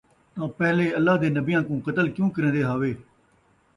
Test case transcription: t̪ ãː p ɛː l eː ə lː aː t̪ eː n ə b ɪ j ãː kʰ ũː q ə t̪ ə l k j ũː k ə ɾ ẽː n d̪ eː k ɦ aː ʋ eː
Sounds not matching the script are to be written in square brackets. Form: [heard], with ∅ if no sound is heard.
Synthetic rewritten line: t̪ ãː p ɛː l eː ə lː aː [d̪] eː n ə b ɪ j ãː [k] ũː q ə t̪ ə l k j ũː k ə ɾ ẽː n d̪ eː [∅] ɦ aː ʋ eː

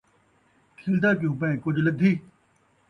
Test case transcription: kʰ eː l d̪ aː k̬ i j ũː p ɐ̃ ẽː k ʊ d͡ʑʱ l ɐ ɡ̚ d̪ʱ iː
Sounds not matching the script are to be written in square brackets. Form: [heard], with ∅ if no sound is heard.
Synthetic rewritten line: kʰ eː l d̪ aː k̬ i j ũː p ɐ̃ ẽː k ʊ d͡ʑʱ l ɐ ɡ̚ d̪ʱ iː

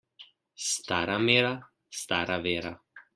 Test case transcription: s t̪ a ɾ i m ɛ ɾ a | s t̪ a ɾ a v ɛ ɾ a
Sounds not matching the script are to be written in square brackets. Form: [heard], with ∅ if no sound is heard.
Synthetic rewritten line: s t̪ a ɾ [a] m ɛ ɾ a | s t̪ a ɾ a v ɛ ɾ a

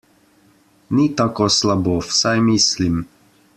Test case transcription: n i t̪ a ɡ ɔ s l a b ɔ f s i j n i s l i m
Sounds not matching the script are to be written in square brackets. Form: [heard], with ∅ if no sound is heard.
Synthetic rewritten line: n i t̪ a [k] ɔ s l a b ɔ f s [a] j [m] i s l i m

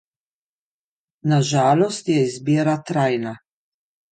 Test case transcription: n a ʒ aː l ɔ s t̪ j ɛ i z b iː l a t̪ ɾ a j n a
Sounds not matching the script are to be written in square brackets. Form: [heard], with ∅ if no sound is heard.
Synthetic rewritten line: n a ʒ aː l ɔ s t̪ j ɛ i z b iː [ɾ] a t̪ ɾ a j n a

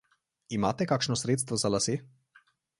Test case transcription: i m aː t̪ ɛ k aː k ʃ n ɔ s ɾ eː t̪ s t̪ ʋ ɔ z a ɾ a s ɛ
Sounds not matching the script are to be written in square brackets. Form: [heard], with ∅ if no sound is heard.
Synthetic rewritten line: i m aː t̪ ɛ k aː k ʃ n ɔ s ɾ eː t̪ s t̪ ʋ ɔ z a [l] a s [e]

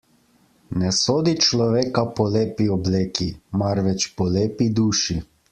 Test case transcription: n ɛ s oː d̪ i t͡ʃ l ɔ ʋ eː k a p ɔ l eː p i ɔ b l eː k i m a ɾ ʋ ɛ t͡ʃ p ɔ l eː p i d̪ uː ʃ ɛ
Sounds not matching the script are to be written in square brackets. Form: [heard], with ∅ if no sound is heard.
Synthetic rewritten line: n ɛ s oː d̪ i t͡ʃ l ɔ ʋ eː k a p ɔ l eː p i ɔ b l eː k i m a ɾ ʋ ɛ t͡ʃ p ɔ l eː p i d̪ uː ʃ [i]

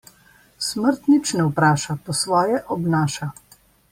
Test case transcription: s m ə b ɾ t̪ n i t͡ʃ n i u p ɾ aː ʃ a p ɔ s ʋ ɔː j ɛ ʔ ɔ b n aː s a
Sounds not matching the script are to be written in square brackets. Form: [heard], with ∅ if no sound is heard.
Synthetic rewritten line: s m ə [∅] ɾ t̪ n i t͡ʃ n [ɛ] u p ɾ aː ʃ a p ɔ s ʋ ɔː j ɛ ʔ ɔ b n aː [ʃ] a

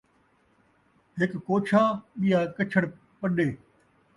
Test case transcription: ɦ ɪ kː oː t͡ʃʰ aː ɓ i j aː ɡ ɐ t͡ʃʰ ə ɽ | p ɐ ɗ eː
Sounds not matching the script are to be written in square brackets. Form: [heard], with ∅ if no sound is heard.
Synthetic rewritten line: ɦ ɪ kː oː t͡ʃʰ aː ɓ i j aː [k] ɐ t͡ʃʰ ə ɽ | p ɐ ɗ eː

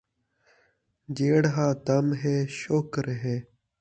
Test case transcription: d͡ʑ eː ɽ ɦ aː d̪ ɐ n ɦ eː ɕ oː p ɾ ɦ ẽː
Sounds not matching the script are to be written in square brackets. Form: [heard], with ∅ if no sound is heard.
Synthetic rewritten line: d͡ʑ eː ɽ ɦ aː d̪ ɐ [m] ɦ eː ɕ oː [k] ɾ ɦ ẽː

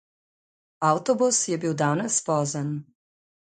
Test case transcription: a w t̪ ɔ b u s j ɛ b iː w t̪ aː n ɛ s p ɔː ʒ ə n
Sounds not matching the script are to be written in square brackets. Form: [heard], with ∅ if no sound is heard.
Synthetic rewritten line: a w t̪ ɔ b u s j ɛ b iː w [d̪] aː n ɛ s p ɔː [z] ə n

